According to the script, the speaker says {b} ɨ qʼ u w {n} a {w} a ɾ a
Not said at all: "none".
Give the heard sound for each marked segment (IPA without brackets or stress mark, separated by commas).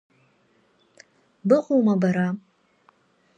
b, m, b